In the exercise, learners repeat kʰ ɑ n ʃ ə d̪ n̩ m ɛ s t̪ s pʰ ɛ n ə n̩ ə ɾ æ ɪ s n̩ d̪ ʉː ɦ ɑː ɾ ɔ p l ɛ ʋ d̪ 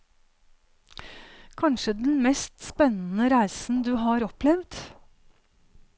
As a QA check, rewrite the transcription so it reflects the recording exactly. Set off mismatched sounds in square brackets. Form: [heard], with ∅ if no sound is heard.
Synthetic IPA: kʰ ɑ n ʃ ə d̪ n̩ m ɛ s t̪ s [p] ɛ n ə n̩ ə ɾ æ ɪ s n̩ d̪ ʉː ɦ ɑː ɾ ɔ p l ɛ ʋ d̪